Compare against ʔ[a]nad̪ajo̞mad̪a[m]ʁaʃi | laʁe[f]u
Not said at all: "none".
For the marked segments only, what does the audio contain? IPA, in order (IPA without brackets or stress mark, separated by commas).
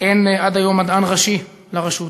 e, n, ʃ